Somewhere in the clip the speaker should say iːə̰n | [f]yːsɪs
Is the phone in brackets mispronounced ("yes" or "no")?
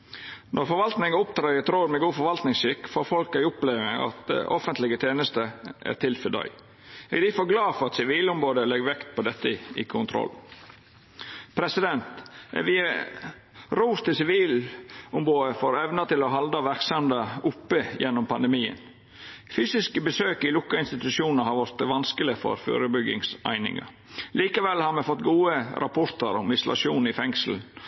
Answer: no